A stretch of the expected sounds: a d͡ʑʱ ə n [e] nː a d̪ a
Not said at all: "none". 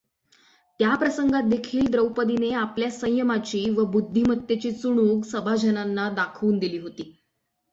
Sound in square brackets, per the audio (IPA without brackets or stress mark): a